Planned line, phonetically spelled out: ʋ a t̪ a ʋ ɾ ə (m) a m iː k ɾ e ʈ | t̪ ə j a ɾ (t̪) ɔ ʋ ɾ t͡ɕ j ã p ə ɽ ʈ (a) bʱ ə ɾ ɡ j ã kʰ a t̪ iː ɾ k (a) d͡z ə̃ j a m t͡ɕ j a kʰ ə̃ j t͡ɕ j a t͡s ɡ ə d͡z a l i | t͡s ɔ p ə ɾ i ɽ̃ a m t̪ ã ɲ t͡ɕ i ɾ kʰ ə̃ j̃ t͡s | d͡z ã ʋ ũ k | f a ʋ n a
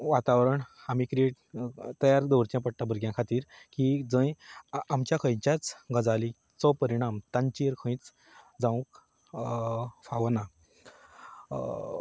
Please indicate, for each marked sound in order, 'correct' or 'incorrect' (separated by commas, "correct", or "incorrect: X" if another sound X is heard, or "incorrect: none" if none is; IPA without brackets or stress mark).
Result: incorrect: ɳ, incorrect: d̪, correct, incorrect: i